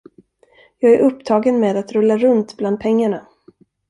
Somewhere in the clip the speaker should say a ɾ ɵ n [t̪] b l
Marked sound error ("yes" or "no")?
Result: no